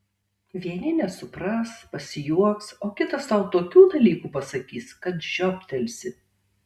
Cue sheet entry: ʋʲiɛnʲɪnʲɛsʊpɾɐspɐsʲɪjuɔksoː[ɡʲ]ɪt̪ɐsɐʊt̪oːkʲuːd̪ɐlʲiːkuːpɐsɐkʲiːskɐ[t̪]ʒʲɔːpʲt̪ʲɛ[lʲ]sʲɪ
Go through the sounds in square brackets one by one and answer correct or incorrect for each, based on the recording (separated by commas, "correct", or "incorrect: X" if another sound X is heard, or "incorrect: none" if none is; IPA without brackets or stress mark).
incorrect: kʲ, correct, correct